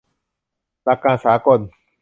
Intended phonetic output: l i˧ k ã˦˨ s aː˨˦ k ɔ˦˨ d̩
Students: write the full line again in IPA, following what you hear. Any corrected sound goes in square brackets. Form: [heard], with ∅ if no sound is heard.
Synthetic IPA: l [a˧] k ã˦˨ s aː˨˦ k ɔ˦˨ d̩